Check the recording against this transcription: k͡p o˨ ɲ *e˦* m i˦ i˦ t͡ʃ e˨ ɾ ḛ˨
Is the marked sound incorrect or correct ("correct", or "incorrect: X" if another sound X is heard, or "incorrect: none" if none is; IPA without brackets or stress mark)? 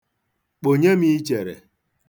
correct